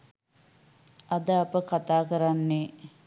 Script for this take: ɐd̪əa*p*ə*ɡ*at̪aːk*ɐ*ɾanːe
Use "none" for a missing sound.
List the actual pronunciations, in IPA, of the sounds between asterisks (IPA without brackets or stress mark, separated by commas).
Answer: p, k, ə